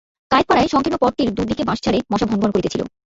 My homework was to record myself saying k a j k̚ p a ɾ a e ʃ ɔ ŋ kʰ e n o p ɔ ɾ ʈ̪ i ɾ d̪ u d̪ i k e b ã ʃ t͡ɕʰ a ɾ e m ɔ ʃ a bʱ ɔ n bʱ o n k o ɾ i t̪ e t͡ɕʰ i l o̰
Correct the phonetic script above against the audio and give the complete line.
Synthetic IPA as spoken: k a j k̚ p a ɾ a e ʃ ɔ ŋ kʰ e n o p ɔ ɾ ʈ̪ i ɾ d̪ u d̪ i k e b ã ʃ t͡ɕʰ a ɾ e m ɔ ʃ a bʱ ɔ n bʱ o n k o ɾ i t̪ e t͡ɕʰ i l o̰